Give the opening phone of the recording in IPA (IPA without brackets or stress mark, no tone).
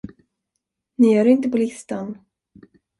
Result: n